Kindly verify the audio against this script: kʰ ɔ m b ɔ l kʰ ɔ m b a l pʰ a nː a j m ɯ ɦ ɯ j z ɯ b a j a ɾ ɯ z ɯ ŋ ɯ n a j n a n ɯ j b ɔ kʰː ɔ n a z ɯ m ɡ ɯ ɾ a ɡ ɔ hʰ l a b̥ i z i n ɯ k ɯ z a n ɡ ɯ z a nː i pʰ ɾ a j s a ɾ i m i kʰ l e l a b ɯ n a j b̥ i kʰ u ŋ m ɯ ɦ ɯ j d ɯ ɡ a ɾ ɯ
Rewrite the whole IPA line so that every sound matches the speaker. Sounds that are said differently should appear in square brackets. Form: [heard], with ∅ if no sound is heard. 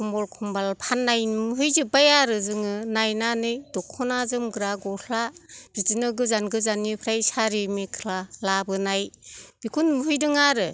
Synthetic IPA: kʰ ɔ m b ɔ l kʰ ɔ m b a l pʰ a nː a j m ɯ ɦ ɯ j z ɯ b a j a ɾ ɯ z ɯ ŋ ɯ n a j n a n ɯ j [d] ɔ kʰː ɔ n a z ɯ m ɡ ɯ ɾ a ɡ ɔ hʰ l a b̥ i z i n ɯ [ɡ] ɯ z a n ɡ ɯ z a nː i pʰ ɾ a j s a ɾ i m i kʰ l [a] l a b ɯ n a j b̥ i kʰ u [n] m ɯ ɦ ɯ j d ɯ [ŋ] a ɾ ɯ